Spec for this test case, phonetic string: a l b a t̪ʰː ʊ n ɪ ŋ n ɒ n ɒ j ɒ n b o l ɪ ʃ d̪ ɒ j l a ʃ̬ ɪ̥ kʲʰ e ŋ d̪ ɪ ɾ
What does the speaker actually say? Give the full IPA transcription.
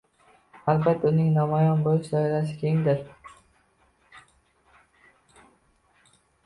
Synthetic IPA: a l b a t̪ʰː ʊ n ɪ ŋ n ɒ m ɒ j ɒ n b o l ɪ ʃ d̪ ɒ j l a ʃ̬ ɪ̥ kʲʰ e ŋ d̪ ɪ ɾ